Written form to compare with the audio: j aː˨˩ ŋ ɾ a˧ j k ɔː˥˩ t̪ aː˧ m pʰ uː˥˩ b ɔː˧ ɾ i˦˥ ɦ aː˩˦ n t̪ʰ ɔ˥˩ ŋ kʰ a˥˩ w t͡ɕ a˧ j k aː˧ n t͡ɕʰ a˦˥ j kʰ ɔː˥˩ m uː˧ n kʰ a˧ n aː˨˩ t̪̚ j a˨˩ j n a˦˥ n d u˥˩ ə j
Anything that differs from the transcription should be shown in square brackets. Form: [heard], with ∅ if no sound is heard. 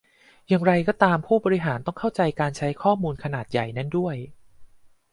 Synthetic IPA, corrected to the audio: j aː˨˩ ŋ ɾ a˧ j k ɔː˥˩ t̪ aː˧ m pʰ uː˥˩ b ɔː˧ ɾ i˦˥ ɦ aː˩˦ n [t̪] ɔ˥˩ ŋ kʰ a˥˩ w t͡ɕ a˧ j k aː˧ n t͡ɕʰ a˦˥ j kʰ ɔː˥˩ m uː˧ n kʰ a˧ n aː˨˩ t̪̚ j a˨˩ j n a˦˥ n d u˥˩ ə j